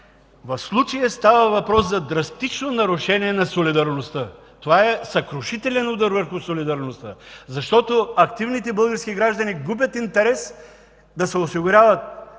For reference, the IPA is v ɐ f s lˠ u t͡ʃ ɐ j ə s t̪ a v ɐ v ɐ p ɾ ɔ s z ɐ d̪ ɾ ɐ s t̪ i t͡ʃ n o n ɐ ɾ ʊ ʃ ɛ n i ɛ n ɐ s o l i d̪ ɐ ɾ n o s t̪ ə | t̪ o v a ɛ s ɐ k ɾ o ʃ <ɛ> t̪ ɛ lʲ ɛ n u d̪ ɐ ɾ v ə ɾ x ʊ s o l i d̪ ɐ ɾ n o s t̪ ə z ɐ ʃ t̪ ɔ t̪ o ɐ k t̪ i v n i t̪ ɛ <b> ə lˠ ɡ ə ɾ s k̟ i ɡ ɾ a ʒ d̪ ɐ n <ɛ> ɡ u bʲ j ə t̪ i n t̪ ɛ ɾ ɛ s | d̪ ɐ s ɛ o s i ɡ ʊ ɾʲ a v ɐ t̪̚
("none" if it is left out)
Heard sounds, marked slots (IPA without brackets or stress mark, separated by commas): i, b, i